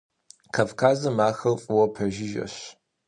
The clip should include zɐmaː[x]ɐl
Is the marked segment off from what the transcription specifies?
no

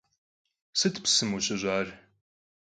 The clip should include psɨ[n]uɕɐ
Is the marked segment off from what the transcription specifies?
yes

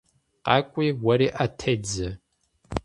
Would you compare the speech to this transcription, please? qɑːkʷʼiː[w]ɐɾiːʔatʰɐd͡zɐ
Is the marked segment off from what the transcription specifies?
no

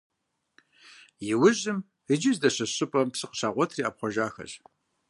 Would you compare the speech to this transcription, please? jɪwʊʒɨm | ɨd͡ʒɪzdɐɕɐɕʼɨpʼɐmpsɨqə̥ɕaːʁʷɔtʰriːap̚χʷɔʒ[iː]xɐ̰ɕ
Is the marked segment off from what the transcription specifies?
yes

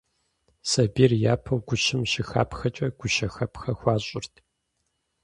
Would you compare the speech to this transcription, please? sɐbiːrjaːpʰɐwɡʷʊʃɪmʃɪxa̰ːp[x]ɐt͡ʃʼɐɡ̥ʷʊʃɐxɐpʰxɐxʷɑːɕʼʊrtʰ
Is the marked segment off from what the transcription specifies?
no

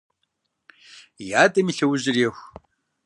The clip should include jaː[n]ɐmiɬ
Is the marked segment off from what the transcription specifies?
yes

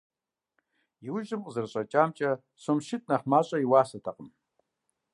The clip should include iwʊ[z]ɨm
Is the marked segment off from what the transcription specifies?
yes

